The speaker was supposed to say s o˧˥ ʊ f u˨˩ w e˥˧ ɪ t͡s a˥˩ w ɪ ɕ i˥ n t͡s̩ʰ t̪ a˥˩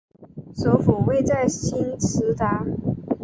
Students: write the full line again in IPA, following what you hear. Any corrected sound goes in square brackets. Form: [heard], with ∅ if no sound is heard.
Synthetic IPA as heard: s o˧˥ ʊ f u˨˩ w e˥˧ ɪ t͡s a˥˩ [∅] ɪ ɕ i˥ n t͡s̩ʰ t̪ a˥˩